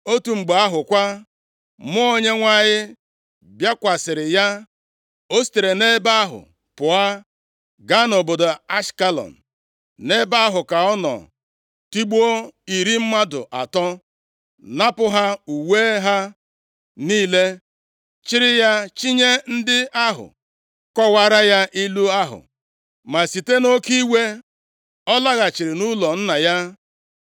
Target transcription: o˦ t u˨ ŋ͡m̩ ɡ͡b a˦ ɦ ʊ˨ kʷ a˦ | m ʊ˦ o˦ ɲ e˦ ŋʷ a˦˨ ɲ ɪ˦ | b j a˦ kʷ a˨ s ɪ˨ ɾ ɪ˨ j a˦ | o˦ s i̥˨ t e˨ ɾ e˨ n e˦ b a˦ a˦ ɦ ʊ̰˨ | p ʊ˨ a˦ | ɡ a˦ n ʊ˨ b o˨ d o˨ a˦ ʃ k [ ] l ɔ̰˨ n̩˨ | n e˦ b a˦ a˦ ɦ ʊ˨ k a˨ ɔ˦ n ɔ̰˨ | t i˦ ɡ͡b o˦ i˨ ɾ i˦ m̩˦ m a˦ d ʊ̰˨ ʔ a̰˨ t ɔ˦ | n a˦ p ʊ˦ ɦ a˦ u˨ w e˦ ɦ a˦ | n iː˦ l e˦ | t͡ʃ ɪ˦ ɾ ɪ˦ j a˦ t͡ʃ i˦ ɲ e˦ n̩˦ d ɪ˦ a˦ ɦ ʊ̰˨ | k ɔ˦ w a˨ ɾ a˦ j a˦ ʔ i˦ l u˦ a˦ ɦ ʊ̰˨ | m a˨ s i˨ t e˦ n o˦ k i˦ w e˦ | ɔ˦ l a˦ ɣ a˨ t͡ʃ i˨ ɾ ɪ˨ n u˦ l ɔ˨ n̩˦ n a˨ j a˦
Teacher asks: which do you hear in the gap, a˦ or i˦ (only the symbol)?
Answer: a˦